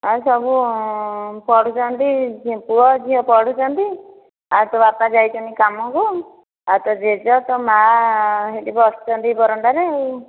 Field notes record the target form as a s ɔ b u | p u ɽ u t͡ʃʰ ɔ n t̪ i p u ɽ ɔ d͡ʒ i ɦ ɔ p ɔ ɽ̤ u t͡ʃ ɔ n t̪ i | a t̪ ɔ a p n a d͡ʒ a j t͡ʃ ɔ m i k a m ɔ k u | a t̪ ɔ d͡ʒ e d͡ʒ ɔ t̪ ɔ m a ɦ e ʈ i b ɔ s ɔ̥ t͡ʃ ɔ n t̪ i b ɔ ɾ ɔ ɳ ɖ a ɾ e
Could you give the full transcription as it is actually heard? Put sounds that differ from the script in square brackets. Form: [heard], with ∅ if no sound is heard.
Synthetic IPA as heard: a s ɔ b u | p [ɔ] ɽ u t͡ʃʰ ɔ n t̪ i p u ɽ ɔ d͡ʒ i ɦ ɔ p ɔ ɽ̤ u t͡ʃ ɔ n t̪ i | a t̪ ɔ a p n a d͡ʒ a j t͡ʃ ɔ [n] i k a m ɔ k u | a t̪ ɔ d͡ʒ e d͡ʒ ɔ t̪ ɔ m a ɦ e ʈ i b ɔ s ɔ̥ t͡ʃ ɔ n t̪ i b ɔ ɾ ɔ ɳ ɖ a ɾ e